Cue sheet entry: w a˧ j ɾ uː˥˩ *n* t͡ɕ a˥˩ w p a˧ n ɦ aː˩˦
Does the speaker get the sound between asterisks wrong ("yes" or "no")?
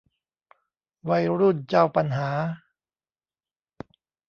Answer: no